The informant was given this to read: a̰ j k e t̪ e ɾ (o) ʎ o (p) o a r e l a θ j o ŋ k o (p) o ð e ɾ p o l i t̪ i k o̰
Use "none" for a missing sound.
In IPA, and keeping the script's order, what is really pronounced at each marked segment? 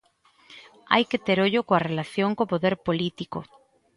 o, k, p

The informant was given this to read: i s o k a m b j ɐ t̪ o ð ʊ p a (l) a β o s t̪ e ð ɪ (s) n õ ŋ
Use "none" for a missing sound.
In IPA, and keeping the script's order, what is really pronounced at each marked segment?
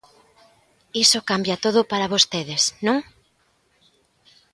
ɾ, s

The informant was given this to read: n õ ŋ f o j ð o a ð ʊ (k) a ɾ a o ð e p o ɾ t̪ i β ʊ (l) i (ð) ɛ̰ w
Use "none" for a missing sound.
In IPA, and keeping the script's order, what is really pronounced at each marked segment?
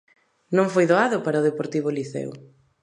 p, l, θ

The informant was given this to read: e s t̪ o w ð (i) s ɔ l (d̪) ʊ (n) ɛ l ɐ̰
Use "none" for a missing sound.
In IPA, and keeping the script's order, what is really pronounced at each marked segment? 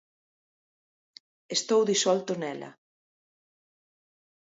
i, t̪, n

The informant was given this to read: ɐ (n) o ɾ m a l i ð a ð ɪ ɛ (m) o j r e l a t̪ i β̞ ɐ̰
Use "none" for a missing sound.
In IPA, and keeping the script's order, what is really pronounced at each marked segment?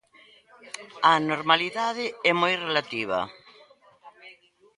n, m

